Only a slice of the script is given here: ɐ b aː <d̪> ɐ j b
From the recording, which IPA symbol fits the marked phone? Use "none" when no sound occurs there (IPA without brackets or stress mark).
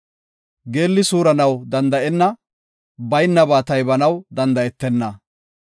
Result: t̪